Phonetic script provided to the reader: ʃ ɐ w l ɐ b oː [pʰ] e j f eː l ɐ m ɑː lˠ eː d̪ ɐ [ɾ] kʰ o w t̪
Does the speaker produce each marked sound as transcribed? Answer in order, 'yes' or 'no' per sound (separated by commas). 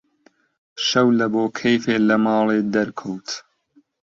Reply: no, yes